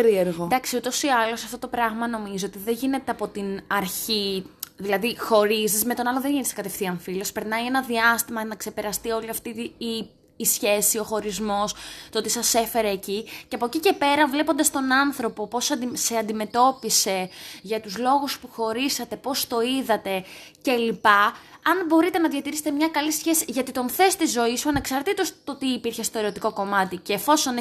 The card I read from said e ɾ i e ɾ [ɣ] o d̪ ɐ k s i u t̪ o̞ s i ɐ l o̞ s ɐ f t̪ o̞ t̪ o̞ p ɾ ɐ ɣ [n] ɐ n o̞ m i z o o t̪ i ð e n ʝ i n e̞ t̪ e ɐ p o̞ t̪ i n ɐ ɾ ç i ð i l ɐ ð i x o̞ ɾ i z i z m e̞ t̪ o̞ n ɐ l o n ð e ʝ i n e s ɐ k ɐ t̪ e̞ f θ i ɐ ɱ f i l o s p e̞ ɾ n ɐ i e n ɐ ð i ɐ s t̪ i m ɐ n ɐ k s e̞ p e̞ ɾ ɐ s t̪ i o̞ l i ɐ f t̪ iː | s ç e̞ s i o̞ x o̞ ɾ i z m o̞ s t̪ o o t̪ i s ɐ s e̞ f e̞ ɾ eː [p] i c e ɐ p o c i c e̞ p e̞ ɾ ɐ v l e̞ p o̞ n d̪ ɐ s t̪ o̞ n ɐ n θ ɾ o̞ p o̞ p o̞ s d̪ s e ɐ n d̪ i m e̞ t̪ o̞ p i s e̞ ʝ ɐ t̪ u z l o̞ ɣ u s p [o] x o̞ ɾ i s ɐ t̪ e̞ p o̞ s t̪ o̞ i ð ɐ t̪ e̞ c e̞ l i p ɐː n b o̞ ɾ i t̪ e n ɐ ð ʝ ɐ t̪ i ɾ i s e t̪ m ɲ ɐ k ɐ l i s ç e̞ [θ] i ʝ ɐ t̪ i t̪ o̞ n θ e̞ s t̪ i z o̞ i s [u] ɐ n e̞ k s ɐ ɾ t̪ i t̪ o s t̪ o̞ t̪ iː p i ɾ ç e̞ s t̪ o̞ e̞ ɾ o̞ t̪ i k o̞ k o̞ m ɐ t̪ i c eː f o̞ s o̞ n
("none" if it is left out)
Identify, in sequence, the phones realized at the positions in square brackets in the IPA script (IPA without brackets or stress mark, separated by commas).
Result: ɣ, m, c, u, s, u